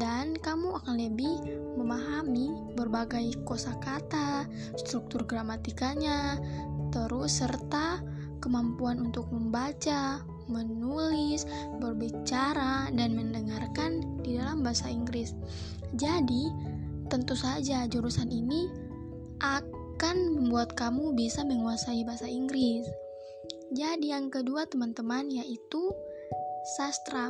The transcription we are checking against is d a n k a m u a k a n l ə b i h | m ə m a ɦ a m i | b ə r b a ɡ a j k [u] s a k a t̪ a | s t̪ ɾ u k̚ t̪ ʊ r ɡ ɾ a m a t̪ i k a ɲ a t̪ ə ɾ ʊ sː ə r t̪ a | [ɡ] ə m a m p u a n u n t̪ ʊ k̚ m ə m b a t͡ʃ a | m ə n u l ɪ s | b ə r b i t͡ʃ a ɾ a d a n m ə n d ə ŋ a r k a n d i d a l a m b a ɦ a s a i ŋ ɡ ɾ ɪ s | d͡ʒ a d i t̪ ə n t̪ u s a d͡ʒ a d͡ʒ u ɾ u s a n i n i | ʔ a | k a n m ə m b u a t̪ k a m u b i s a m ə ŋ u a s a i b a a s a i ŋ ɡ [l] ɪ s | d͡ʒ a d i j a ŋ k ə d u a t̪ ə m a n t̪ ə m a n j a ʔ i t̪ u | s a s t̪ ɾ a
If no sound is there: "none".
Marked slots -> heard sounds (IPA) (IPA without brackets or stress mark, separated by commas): o, k, ɾ